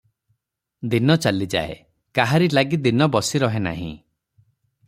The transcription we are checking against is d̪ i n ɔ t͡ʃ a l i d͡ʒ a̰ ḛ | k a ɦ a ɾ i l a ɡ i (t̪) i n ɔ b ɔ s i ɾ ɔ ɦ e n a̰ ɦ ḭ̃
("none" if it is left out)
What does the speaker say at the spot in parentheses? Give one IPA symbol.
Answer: d̪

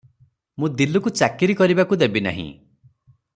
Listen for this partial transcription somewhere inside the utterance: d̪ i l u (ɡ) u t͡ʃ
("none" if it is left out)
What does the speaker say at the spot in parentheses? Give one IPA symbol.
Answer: k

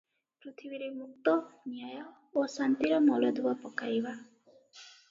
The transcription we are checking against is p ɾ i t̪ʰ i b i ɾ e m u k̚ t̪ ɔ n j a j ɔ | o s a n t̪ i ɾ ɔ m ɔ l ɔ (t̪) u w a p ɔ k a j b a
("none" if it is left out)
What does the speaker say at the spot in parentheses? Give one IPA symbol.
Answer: d̪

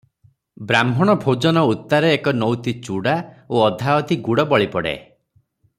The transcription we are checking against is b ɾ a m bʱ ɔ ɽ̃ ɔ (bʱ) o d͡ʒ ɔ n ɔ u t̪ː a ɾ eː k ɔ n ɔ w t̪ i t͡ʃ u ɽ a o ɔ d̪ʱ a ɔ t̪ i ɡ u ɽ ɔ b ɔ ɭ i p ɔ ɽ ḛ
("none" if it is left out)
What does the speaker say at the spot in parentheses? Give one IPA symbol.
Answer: bʱ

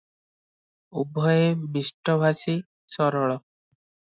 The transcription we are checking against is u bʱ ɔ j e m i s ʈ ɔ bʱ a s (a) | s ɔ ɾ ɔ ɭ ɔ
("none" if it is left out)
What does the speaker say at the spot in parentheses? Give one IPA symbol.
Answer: i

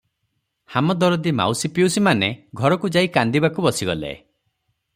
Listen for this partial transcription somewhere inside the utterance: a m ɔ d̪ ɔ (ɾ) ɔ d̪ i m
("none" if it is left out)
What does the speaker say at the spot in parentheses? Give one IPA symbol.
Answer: ɾ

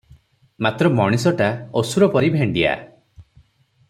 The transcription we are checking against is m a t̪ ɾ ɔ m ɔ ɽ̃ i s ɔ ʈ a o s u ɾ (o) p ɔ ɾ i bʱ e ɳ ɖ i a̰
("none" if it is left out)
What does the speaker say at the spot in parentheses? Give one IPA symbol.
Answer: ɔ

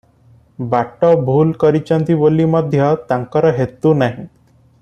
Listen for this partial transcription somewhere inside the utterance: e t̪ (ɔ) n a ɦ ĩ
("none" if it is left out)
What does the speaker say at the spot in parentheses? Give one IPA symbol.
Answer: u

